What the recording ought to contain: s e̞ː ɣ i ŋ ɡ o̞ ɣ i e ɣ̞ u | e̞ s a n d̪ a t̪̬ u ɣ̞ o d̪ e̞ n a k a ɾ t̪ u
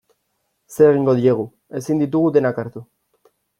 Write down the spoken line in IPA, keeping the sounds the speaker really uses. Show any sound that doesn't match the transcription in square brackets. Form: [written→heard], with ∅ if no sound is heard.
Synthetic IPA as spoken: s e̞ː ɣ i ŋ ɡ o̞ [ɣ→ð] i e ɣ̞ u | e̞ s [a→i] n d̪ [a→i] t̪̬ u ɣ̞ [o→u] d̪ e̞ n a k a ɾ t̪ u